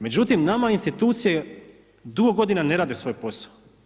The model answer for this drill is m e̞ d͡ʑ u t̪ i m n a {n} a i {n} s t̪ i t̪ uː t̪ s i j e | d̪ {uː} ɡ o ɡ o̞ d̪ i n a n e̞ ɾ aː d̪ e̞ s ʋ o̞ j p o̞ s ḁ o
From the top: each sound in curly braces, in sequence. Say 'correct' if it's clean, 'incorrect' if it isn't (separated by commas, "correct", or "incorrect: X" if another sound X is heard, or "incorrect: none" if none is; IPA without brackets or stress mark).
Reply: incorrect: m, correct, incorrect: u